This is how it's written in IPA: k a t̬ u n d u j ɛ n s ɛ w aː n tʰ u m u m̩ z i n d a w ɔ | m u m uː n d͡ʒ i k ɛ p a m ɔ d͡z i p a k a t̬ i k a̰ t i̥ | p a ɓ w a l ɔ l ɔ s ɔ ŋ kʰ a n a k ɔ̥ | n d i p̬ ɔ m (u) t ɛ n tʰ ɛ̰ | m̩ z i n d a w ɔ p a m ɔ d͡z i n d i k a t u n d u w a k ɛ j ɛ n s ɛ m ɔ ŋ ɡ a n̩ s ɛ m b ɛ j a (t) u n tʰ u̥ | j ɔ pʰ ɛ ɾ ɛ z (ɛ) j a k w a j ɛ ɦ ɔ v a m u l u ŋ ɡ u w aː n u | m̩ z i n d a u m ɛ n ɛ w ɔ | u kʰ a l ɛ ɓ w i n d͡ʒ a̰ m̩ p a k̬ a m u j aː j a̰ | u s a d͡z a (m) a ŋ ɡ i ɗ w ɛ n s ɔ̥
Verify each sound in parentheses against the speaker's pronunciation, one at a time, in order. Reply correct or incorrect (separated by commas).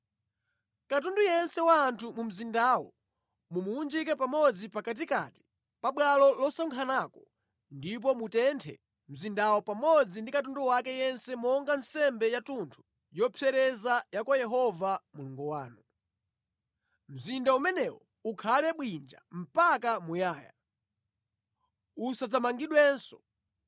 correct, correct, incorrect, correct